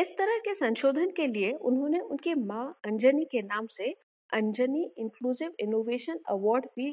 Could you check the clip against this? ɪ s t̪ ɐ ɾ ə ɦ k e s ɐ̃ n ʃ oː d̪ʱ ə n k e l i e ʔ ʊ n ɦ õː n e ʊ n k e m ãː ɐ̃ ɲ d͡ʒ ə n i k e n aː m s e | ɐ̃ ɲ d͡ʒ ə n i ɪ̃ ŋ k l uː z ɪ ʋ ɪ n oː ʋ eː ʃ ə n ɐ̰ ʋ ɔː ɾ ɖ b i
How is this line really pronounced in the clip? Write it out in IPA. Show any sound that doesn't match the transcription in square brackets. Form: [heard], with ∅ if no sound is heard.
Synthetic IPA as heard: ɪ s t̪ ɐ ɾ ə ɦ k e s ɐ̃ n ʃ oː d̪ʱ ə n k e l i e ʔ ʊ n ɦ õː n e ʊ n k e m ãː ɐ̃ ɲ d͡ʒ ə n i k e n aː m s e | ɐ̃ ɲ d͡ʒ ə n i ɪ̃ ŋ k l uː z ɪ ʋ ɪ n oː ʋ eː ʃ ə n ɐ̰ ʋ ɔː ɾ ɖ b i